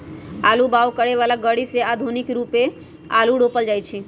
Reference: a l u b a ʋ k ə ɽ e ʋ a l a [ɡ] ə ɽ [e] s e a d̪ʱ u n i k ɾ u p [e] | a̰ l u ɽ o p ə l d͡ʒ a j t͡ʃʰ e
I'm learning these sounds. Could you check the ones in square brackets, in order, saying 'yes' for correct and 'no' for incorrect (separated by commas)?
yes, no, yes